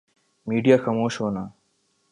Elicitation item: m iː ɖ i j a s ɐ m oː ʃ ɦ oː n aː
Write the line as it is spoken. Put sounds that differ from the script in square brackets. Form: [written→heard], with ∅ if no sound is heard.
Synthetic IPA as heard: m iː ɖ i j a [s→x] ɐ m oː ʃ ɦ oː n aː